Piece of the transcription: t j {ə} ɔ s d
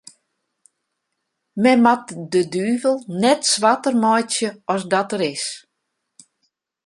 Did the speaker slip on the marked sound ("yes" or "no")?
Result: no